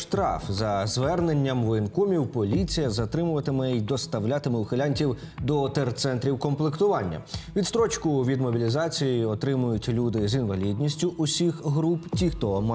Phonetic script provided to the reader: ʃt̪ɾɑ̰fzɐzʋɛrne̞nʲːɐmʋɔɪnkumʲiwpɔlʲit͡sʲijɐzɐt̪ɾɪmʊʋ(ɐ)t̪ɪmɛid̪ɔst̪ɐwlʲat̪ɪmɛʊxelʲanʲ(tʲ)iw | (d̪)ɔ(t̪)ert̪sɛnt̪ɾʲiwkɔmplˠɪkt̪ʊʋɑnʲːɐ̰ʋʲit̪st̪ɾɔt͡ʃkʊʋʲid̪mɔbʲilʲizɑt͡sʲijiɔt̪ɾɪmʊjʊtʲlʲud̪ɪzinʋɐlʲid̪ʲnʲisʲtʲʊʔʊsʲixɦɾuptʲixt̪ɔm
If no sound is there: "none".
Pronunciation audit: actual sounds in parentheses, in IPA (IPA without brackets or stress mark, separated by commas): ɐ, tʲ, d̪, t̪